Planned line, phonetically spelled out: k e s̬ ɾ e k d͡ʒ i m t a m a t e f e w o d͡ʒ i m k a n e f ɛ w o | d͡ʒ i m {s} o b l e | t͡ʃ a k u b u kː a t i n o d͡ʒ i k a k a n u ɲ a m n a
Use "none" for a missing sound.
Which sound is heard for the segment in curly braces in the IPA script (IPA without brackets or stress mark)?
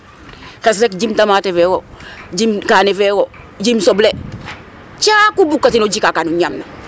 s